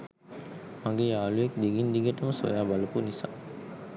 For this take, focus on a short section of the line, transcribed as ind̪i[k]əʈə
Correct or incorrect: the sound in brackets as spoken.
incorrect: ɡ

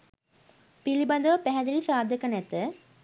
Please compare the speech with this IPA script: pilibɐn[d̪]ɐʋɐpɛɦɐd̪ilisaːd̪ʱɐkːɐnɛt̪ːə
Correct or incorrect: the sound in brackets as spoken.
correct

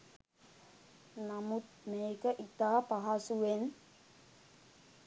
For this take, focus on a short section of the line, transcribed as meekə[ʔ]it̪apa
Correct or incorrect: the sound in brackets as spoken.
correct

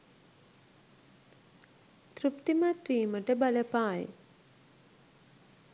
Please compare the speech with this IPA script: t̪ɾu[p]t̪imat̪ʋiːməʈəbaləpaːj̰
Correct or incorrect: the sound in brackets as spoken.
correct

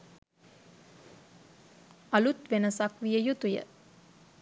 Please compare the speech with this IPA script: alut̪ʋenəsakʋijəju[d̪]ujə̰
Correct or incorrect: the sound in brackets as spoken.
incorrect: t̪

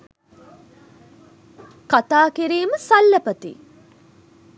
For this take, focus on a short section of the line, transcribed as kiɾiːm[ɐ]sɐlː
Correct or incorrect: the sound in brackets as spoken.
incorrect: ə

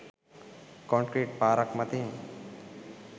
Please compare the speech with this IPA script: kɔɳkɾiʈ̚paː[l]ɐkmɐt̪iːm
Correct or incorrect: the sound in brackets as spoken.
incorrect: ɾ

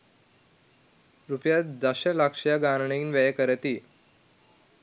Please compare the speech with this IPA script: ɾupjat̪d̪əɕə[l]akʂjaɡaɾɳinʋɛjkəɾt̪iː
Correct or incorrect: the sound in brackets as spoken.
correct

